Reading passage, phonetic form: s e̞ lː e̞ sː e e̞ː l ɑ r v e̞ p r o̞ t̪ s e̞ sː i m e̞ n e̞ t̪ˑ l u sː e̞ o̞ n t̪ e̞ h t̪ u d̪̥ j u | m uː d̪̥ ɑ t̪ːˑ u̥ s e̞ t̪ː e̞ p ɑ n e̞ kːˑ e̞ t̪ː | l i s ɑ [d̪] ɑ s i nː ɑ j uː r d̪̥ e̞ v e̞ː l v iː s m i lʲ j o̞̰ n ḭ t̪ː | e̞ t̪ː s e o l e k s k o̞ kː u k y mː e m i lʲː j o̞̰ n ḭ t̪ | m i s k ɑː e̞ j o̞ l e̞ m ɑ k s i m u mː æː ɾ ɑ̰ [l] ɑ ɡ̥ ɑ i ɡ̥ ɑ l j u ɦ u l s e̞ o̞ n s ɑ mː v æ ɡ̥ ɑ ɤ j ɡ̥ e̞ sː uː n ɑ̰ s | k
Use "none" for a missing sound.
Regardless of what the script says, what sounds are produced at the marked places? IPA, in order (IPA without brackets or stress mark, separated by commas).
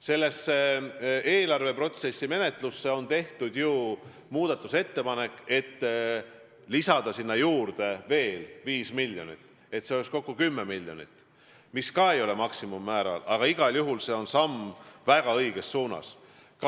d̪, l